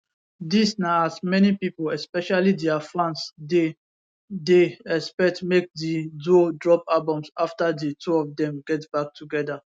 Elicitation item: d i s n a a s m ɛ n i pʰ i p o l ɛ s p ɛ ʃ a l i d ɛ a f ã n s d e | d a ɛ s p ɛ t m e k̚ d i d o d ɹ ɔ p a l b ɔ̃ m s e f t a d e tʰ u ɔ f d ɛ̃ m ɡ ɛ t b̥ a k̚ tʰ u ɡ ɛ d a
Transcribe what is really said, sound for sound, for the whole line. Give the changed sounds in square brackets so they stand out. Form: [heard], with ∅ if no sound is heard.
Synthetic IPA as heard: d i s n a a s m ɛ n i [p] i p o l ɛ s p ɛ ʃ a l i d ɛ a f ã n s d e | d [e] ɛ s p ɛ t m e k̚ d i d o d ɹ ɔ p a l b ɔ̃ m s [a] f t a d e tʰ u ɔ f d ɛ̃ m ɡ ɛ t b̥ a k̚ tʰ u ɡ ɛ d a